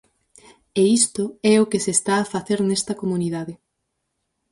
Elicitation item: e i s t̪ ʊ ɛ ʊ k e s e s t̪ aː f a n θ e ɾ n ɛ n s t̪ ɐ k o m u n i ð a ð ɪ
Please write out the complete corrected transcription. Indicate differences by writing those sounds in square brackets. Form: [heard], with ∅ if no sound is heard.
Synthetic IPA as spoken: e i s t̪ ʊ ɛ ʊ k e s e s t̪ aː f a [∅] θ e ɾ n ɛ [∅] s t̪ ɐ k o m u n i ð a ð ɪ